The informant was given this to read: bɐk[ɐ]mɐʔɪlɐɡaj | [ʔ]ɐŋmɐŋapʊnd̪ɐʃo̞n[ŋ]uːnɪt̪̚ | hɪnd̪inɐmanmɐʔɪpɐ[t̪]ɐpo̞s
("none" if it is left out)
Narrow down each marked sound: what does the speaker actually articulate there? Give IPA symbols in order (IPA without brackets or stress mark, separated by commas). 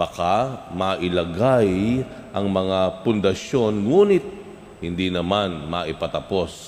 a, ʔ, ŋ, t̪